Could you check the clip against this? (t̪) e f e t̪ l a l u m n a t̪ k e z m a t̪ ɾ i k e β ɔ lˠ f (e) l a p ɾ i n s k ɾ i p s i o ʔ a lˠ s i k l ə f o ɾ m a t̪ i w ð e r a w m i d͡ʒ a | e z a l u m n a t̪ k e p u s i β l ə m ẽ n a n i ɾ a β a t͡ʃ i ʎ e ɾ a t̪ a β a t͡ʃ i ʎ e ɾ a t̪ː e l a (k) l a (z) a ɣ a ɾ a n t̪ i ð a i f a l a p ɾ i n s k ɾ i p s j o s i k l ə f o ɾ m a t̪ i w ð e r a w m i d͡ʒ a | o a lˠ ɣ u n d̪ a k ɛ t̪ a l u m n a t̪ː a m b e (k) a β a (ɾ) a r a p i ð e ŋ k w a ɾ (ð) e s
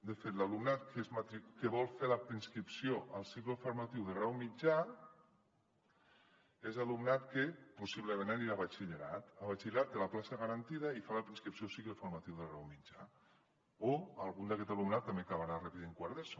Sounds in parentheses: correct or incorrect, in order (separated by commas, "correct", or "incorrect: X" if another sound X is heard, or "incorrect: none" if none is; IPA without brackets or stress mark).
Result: incorrect: d̪, correct, incorrect: p, incorrect: s, correct, correct, correct